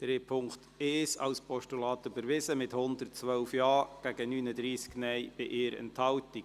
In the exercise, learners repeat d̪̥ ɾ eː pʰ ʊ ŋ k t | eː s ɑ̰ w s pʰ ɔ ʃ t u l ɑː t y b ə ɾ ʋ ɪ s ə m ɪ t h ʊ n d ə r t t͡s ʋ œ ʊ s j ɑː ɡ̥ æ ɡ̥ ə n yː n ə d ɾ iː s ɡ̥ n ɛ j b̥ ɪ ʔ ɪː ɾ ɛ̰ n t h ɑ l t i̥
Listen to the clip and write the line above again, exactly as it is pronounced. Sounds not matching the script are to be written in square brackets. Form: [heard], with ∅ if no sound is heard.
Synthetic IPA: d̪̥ ɾ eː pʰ ʊ ŋ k t | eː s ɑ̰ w s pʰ ɔ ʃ t u l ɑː t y b ə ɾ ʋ ɪ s ə m ɪ t h ʊ n d ə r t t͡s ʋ œ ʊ [f] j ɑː ɡ̥ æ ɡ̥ ə n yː n ə d ɾ iː s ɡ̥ n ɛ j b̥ ɪ ʔ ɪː ɾ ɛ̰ n t h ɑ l t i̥